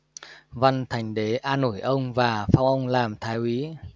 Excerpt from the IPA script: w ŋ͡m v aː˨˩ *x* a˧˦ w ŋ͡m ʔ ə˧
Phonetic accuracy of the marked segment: incorrect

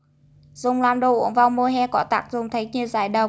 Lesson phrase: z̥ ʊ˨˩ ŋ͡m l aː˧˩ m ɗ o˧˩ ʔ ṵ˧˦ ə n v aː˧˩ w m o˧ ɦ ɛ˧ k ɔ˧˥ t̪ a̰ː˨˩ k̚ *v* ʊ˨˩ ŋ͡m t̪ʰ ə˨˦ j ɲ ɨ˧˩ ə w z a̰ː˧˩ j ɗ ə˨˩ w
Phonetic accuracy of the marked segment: incorrect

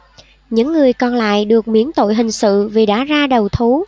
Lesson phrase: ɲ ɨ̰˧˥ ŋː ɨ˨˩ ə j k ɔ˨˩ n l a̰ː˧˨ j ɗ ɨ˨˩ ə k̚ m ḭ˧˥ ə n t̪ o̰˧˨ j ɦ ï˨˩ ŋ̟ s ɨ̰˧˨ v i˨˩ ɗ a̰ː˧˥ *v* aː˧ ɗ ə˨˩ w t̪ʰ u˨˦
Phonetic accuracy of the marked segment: incorrect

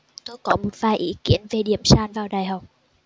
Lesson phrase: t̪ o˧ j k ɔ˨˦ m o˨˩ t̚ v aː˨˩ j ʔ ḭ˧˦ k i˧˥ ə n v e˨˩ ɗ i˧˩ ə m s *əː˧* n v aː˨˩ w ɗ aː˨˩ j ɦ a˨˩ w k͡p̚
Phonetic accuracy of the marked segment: incorrect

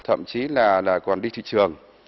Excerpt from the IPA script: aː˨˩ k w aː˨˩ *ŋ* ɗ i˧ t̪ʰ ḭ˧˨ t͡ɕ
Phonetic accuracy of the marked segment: incorrect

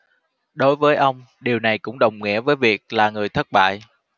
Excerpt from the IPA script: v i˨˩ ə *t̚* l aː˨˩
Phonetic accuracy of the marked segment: incorrect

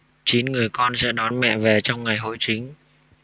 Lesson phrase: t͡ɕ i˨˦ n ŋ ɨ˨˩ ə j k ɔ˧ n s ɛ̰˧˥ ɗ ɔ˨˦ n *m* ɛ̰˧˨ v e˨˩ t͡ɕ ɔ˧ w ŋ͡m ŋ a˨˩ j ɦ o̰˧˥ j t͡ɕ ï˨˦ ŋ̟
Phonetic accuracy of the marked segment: correct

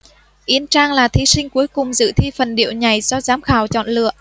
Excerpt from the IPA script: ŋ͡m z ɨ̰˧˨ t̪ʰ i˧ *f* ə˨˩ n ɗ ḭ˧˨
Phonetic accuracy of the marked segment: correct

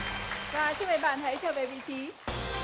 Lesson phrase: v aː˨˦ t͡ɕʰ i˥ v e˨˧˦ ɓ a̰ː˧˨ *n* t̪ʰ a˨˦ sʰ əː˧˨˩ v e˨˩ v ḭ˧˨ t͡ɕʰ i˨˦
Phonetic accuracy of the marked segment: correct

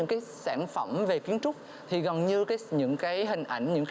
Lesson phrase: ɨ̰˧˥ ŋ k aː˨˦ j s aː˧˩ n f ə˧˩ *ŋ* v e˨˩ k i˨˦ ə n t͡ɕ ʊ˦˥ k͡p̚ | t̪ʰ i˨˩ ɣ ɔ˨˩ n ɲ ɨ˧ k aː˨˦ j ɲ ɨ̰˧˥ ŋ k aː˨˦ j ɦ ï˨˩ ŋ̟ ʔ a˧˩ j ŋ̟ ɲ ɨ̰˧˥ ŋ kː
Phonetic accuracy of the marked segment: incorrect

